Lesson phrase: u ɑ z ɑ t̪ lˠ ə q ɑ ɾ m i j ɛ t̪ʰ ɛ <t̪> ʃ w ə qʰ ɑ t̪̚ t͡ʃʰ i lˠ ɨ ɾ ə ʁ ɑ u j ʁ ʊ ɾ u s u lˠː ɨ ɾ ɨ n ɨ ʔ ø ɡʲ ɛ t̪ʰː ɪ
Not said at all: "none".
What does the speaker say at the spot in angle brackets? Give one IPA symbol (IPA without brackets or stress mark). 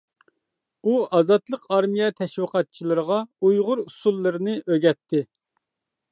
none